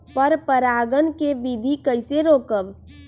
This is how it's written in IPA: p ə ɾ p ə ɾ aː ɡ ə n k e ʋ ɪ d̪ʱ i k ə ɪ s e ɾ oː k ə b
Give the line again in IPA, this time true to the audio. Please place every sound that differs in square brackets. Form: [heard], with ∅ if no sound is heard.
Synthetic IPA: p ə ɾ p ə ɾ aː ɡ ə n k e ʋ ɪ d̪ʱ i k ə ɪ s e ɾ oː k ə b